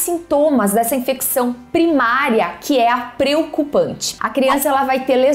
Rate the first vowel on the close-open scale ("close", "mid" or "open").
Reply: close